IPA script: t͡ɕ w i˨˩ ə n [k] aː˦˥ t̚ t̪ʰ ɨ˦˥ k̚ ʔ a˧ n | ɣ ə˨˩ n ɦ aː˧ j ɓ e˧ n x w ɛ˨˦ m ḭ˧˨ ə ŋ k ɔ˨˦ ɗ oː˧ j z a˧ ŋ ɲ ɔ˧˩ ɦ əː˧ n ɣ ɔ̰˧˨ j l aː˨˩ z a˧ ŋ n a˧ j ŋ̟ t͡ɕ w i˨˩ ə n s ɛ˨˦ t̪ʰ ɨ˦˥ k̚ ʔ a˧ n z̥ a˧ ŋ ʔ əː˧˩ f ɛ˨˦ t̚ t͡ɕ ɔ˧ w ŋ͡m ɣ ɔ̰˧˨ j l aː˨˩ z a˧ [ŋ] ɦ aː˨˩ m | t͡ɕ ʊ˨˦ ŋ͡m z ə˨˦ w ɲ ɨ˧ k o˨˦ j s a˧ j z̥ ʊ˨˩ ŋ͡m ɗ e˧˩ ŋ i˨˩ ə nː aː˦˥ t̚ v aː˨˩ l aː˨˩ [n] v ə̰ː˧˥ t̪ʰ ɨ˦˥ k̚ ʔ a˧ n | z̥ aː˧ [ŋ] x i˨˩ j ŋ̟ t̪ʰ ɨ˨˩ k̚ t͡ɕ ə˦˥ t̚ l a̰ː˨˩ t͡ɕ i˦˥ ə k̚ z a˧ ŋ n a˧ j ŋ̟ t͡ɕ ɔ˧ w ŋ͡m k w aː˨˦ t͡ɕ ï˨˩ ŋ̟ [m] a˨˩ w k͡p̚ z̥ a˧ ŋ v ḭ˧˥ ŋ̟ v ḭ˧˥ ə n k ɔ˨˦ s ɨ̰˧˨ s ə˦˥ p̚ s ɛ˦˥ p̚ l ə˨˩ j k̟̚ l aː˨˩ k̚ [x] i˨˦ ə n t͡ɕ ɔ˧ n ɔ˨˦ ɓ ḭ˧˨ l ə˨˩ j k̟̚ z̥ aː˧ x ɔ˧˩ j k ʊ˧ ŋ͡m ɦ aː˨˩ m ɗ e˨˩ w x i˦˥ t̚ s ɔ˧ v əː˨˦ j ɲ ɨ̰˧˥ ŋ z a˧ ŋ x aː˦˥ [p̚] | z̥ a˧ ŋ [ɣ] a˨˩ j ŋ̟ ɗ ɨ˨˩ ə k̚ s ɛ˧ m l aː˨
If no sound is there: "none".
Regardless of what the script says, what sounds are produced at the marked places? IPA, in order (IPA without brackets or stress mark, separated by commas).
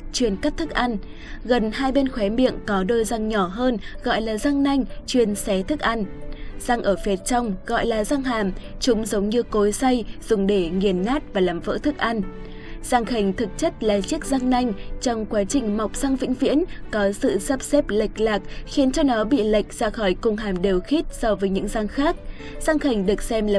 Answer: k, ŋ, m, ŋ, m, x, k̚, x